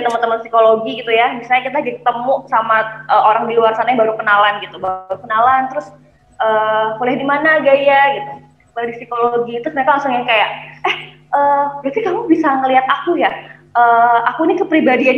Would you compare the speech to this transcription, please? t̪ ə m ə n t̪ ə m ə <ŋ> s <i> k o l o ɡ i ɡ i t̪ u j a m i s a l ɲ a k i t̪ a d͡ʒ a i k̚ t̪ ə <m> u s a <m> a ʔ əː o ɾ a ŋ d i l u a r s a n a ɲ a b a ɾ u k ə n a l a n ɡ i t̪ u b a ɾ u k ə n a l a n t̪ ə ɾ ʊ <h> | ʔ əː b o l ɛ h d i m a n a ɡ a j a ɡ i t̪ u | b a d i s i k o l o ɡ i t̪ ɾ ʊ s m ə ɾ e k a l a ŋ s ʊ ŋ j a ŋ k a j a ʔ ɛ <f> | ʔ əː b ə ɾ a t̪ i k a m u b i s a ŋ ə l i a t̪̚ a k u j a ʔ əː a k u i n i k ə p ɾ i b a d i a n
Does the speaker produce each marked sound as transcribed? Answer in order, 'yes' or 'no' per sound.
no, yes, yes, yes, no, no

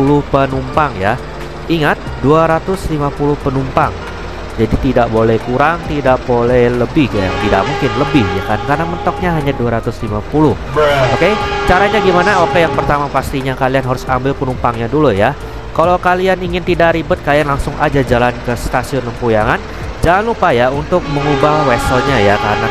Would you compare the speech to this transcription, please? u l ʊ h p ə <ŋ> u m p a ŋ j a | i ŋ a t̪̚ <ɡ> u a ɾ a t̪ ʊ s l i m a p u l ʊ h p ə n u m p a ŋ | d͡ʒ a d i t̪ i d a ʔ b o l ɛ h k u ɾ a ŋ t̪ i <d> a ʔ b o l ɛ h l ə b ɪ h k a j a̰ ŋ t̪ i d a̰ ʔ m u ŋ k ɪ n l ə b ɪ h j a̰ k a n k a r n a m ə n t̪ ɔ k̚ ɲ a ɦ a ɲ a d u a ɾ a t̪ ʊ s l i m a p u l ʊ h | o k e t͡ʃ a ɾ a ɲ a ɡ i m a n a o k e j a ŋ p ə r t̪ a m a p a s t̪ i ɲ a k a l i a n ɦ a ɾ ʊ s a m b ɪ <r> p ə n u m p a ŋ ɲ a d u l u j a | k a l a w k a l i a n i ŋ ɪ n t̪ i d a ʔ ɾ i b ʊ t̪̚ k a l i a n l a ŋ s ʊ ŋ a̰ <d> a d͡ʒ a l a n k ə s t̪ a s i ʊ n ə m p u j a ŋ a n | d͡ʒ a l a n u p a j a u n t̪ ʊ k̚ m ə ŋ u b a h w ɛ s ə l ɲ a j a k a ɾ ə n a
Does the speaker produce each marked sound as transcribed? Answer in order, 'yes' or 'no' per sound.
no, no, yes, no, no

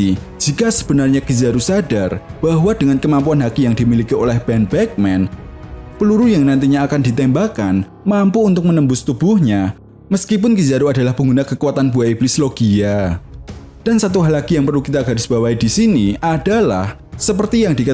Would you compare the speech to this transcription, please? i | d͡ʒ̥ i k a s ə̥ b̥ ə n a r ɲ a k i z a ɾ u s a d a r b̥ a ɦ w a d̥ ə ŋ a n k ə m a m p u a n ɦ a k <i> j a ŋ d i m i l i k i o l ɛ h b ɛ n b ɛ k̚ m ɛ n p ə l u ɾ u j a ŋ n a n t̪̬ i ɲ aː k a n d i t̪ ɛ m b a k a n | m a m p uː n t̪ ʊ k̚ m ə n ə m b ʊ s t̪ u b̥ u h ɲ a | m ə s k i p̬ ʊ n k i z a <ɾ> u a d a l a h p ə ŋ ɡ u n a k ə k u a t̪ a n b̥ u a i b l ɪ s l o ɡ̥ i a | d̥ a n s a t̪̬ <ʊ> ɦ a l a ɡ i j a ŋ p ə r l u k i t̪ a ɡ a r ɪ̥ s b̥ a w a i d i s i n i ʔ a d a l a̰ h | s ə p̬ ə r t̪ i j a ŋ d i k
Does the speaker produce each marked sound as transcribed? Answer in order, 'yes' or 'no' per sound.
yes, yes, no

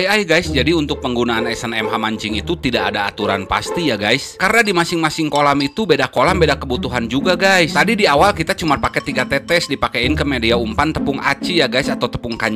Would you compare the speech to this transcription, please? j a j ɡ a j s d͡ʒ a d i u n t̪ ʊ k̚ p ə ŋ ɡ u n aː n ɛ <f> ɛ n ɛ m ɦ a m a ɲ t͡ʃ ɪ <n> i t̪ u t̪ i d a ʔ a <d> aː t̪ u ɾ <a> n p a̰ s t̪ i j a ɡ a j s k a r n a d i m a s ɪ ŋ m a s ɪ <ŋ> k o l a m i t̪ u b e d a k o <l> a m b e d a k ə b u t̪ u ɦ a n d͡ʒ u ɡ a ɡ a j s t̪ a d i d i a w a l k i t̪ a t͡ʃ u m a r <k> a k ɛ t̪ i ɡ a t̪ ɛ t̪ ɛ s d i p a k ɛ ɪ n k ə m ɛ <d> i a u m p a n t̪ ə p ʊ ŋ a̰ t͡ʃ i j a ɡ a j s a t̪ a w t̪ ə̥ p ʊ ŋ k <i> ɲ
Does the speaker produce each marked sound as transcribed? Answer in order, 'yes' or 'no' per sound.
no, no, yes, yes, yes, yes, no, yes, no

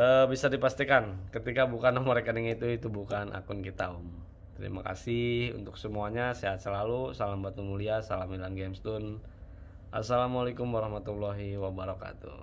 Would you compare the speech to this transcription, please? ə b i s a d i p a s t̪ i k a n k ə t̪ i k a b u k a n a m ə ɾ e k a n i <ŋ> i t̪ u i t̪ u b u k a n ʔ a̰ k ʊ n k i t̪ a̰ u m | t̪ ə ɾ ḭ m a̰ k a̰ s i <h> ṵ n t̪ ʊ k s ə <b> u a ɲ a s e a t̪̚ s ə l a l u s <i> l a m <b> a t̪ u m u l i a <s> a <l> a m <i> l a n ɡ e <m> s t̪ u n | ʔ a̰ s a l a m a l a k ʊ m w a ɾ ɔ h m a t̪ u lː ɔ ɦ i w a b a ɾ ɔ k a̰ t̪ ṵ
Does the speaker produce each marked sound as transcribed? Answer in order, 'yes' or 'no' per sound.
yes, yes, no, no, yes, yes, yes, yes, yes

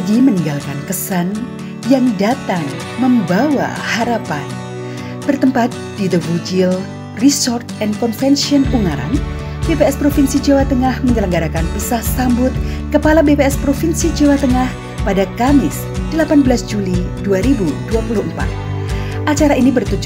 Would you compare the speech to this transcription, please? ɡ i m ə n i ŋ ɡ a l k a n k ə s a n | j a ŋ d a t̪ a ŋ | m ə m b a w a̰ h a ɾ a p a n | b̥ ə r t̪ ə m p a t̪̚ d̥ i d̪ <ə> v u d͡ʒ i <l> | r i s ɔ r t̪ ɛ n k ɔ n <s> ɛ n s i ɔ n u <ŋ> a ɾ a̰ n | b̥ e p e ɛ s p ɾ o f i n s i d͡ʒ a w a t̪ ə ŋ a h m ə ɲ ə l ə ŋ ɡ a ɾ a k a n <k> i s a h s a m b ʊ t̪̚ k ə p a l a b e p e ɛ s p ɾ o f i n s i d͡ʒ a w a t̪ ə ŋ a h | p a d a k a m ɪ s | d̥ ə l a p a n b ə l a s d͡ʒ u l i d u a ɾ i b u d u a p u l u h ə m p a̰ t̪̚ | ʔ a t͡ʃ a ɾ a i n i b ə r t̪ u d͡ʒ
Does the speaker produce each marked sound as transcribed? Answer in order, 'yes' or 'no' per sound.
yes, yes, no, yes, no

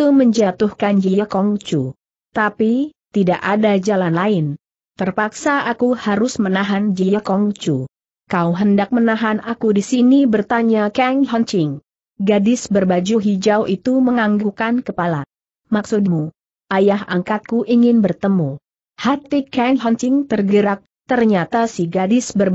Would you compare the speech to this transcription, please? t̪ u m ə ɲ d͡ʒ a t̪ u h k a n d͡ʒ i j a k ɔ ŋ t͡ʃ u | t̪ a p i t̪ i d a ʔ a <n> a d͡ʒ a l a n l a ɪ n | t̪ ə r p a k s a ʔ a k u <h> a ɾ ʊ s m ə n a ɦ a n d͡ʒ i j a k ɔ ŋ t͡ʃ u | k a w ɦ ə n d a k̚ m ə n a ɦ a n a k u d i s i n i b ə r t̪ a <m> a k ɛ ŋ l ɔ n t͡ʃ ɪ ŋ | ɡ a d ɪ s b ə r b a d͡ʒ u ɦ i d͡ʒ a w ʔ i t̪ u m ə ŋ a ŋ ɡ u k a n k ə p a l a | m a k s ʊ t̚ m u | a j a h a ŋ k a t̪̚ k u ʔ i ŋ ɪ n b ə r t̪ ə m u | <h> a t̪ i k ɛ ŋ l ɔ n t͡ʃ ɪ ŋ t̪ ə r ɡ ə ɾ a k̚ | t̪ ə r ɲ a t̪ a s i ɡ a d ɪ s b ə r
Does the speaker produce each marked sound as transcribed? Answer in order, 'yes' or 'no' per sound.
no, yes, no, yes

